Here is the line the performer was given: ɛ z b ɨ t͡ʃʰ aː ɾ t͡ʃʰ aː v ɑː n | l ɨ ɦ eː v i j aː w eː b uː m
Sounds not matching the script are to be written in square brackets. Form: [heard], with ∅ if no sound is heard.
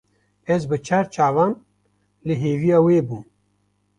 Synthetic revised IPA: ɛ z b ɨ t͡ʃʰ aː ɾ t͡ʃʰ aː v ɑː n | l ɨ ɦ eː v i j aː w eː b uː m